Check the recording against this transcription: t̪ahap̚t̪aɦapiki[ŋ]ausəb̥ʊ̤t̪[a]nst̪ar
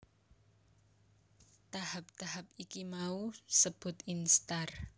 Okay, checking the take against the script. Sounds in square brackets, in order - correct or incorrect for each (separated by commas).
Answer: incorrect, incorrect